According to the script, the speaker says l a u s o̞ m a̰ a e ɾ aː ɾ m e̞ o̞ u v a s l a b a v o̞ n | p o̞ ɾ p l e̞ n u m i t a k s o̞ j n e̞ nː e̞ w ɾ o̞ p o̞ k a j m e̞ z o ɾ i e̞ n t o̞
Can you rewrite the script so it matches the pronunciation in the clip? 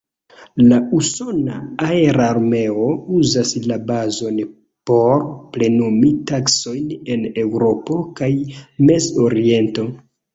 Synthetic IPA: l a u s o̞ n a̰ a e ɾ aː ɾ m e̞ o̞ u z a s l a b a z o̞ n | p o̞ ɾ p l e̞ n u m i t a k s o̞ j n e̞ n e̞ w ɾ o̞ p o̞ k a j m e̞ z o ɾ i e̞ n t o̞